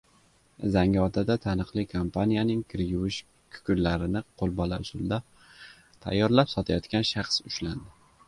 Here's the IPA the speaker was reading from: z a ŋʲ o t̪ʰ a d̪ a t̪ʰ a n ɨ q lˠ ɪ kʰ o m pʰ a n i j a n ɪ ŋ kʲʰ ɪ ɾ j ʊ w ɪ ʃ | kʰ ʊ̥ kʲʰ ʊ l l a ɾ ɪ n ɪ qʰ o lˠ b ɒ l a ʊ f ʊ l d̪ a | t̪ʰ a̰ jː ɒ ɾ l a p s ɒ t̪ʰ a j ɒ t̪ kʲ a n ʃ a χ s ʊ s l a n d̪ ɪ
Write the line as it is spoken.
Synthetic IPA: z a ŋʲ ɒ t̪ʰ a d̪ a t̪ʰ a n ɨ q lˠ ɪ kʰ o m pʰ a n i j a n ɪ ŋ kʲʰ ɪ ɾ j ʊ w ɪ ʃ | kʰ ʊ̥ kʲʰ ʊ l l a ɾ ɪ n ɪ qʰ o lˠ b ɒ l a ʊ s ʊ l d̪ a | t̪ʰ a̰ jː ɒ ɾ l a p s ɒ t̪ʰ a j ɒ t̪ kʲ a n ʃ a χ s ʊ ʃ l a n d̪ ɪ